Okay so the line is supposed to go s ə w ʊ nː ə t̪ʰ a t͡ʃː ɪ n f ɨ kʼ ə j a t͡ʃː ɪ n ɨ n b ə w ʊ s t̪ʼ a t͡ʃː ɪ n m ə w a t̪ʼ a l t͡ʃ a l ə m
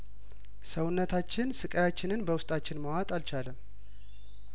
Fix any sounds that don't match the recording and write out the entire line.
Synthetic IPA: s ə w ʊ nː ə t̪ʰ a t͡ʃː ɪ n s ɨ kʼ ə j a t͡ʃː ɪ n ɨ n b ə w ʊ s t̪ʼ a t͡ʃː ɪ n m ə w a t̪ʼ a l t͡ʃ a l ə m